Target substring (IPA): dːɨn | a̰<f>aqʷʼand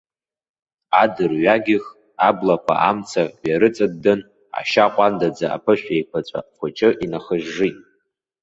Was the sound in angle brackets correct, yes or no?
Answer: no